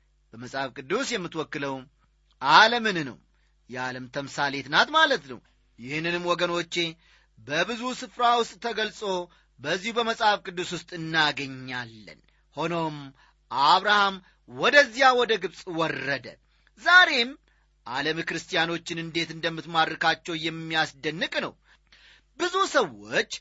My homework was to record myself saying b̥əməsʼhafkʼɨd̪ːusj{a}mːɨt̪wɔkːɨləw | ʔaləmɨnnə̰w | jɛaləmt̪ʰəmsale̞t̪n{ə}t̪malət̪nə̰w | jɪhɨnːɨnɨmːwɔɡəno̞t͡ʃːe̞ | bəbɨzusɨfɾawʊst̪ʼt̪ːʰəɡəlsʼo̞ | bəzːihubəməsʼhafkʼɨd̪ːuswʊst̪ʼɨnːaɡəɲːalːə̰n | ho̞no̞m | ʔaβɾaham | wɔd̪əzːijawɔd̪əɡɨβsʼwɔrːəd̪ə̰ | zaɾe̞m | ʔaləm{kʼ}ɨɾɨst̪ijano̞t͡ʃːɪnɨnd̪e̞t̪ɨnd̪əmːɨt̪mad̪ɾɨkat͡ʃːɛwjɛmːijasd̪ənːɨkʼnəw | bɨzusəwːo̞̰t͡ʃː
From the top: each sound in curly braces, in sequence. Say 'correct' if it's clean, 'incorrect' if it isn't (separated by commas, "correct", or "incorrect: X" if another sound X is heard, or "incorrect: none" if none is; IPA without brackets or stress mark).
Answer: incorrect: ɛ, incorrect: a, incorrect: k